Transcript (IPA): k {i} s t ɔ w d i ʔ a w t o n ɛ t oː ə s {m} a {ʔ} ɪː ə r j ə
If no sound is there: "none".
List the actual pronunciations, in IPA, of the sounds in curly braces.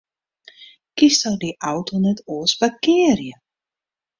i, b, k

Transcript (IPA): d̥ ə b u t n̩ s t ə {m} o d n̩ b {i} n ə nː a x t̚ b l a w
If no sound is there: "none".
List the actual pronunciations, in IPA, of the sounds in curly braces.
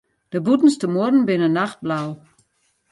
m, ɪ

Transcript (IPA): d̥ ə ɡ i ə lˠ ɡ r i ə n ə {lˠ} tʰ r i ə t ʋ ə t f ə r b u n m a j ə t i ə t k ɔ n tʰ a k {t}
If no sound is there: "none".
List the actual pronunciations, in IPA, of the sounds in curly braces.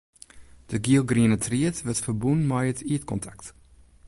none, t

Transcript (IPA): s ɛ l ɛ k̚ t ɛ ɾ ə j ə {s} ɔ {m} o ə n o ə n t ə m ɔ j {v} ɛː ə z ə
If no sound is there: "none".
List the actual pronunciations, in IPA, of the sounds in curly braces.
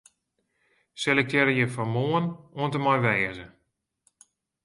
f, m, ʋ

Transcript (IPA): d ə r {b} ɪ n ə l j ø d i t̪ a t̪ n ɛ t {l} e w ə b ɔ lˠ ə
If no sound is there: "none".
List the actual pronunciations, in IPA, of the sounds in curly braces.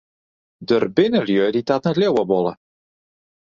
b, l

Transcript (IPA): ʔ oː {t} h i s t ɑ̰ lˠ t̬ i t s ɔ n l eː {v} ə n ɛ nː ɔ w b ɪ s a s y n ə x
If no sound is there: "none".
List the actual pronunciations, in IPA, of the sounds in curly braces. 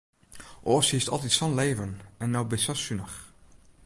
s, v

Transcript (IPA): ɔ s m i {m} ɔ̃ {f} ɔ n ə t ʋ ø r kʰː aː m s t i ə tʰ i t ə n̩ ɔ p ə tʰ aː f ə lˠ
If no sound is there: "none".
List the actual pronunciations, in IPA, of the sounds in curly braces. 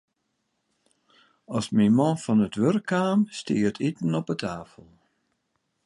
m, f

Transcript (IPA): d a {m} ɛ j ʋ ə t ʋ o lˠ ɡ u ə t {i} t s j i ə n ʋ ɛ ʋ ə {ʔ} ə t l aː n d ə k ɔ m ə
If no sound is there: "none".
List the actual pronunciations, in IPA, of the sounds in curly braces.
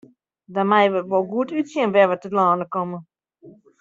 m, y, t

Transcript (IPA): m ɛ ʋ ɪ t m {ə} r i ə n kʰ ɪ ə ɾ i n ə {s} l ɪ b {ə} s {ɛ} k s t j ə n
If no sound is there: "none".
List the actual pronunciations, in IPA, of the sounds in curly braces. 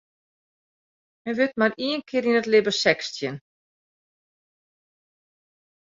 a, t, ə, ɛ

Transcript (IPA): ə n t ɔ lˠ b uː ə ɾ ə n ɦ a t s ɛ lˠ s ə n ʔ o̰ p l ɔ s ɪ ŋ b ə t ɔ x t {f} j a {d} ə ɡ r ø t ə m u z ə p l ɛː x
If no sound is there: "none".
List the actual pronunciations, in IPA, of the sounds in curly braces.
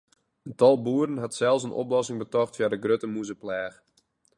f, d

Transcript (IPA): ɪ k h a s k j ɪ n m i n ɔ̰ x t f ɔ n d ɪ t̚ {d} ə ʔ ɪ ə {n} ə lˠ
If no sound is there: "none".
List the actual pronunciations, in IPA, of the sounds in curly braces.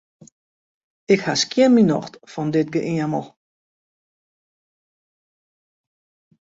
ɡ, m

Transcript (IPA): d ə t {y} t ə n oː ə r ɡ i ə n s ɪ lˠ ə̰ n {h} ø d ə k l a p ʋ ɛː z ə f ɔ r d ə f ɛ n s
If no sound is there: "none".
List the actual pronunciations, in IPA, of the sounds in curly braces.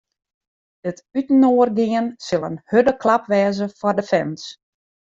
y, h

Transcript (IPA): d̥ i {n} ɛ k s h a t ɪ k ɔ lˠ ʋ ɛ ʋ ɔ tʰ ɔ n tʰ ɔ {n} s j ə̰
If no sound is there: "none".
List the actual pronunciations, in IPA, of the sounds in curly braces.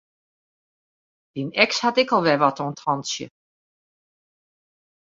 n, n

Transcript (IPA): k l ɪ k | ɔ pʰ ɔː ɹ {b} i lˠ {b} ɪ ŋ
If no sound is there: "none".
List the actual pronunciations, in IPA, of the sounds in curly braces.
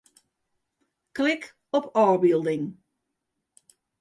b, d

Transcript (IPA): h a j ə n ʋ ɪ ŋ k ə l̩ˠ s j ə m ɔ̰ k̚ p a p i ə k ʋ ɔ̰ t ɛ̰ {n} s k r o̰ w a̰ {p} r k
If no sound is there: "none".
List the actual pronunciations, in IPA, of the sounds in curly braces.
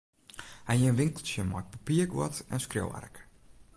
n, none

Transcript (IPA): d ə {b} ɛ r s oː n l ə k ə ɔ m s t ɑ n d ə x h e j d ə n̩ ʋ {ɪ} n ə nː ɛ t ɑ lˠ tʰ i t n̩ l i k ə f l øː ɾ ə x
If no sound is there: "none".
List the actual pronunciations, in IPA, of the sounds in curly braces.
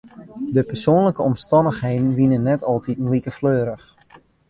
p, i

